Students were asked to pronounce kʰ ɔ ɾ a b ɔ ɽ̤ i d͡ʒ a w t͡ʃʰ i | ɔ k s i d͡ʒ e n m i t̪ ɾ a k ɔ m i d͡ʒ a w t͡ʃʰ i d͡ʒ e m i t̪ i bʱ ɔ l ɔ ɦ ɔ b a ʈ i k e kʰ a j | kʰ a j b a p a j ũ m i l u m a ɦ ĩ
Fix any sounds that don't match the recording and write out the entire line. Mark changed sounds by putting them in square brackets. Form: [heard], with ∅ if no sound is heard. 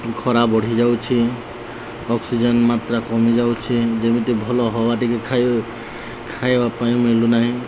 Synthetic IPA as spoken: kʰ ɔ ɾ a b ɔ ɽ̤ i d͡ʒ a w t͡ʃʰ i | ɔ k s i d͡ʒ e n m [a] t̪ ɾ a k ɔ m i d͡ʒ a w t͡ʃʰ i d͡ʒ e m i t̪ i bʱ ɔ l ɔ ɦ ɔ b a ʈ i k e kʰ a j | kʰ a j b a p a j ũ m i l u [n] a ɦ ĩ